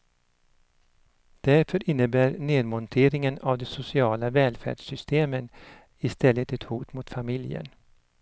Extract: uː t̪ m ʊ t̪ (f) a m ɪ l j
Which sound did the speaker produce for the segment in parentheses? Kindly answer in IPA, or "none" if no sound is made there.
f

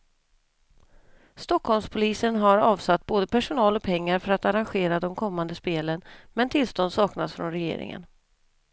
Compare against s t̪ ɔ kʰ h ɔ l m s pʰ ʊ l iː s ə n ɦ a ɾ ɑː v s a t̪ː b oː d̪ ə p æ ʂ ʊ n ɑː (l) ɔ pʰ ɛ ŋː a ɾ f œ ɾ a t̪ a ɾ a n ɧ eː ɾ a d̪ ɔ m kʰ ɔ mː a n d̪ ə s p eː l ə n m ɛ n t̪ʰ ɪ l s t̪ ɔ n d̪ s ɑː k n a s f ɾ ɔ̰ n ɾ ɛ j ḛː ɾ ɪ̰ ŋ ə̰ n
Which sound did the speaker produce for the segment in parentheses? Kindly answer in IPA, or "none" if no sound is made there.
l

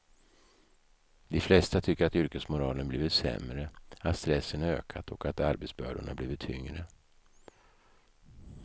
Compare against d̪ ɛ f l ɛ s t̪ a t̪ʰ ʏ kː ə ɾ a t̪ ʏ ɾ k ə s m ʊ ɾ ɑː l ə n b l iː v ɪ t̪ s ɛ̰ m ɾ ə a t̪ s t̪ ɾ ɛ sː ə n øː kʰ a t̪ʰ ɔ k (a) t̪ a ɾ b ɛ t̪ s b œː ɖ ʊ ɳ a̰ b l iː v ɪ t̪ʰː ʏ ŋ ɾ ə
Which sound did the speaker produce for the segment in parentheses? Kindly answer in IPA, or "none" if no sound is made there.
a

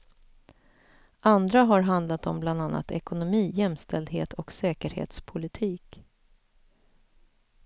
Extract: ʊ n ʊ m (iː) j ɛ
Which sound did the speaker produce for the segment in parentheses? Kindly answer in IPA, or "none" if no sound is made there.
iː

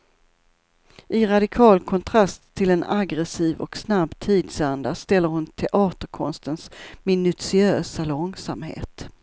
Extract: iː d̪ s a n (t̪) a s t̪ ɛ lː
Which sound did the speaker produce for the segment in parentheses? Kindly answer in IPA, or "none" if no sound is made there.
d̪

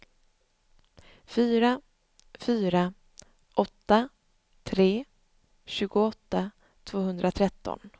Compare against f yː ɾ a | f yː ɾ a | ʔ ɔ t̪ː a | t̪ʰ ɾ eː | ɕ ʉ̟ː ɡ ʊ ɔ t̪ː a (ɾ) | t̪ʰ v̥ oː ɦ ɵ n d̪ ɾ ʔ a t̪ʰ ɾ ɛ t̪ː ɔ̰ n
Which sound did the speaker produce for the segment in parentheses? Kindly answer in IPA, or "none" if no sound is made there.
none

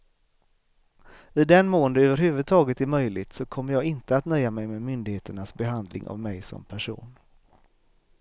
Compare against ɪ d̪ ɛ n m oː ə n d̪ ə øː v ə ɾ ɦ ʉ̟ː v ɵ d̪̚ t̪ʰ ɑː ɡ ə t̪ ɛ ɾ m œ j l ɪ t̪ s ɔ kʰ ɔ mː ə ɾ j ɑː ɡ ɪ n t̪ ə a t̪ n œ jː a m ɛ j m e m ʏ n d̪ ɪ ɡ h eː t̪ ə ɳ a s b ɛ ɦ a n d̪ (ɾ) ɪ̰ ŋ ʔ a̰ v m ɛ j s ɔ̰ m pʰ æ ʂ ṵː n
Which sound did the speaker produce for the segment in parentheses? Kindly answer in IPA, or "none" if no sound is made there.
l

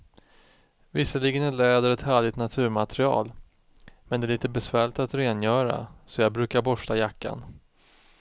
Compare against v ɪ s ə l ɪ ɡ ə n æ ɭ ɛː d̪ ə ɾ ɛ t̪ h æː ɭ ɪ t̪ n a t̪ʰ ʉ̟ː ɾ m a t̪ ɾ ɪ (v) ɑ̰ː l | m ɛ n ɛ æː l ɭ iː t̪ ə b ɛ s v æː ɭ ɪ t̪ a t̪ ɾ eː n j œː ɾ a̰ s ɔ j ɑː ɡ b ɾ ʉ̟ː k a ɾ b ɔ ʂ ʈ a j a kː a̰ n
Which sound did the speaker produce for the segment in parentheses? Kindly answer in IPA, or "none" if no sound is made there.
none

